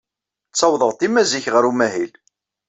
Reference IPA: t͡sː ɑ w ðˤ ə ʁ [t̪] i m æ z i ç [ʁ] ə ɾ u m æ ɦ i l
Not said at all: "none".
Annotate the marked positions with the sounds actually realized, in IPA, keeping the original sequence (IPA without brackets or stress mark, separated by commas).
t̪, ʁ